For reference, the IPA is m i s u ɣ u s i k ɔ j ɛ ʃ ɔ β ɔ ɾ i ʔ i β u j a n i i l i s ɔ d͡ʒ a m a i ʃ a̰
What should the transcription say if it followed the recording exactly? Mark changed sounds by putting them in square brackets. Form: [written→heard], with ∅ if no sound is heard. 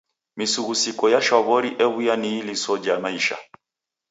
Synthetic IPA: m i s u ɣ u s i k ɔ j [ɛ→a] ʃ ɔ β ɔ ɾ i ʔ [i→ɛ] β u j a n i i l i s ɔ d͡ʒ a m a i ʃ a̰